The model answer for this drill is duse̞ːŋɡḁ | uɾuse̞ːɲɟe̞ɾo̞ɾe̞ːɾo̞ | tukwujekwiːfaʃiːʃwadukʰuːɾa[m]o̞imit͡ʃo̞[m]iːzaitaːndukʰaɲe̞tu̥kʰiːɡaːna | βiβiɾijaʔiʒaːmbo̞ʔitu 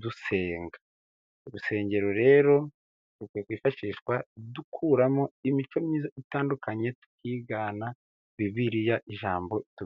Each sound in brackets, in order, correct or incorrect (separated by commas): correct, correct